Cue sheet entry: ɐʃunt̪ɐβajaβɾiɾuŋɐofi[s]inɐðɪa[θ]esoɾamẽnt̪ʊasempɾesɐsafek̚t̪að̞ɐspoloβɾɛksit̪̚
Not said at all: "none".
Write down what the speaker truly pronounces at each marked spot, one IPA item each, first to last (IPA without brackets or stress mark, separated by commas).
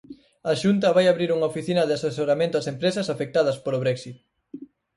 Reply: θ, s